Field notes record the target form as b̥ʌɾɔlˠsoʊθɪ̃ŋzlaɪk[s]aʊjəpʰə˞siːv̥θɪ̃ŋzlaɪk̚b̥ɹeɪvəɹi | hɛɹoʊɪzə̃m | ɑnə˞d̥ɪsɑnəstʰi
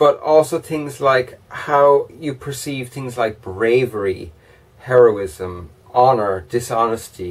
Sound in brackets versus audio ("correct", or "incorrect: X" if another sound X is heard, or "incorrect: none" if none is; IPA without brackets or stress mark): incorrect: h